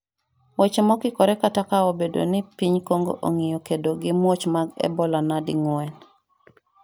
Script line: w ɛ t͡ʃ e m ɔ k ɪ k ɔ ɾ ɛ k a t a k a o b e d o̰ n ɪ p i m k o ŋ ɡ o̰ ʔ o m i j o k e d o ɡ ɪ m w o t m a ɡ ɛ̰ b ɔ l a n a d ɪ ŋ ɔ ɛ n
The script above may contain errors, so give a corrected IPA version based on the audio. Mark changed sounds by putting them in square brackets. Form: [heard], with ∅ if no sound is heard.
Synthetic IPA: w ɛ t͡ʃ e m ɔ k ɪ k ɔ ɾ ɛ k a t a k a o b e d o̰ n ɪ p i [ɲ] k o ŋ ɡ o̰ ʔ o [ŋ] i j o k e d o ɡ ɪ m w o [t͡ʃ] m a ɡ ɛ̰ b ɔ l a n a d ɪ ŋ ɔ ɛ n